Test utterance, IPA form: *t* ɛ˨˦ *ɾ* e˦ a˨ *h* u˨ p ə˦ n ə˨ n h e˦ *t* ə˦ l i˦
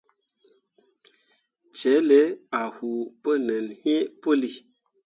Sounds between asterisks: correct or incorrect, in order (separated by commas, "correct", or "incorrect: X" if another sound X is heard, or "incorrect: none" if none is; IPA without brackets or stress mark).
incorrect: t͡ʃ, incorrect: l, correct, incorrect: p